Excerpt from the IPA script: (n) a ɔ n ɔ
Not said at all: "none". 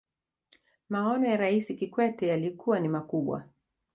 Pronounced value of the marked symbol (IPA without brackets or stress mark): m